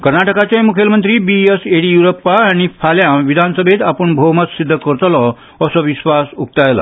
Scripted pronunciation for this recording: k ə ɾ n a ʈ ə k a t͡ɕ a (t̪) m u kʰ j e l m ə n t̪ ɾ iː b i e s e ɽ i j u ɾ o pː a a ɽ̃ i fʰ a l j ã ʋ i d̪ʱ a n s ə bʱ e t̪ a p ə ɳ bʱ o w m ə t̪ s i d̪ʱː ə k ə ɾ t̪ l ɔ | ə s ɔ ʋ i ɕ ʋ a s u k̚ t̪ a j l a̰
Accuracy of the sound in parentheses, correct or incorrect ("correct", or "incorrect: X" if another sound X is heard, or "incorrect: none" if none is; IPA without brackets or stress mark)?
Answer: incorrect: none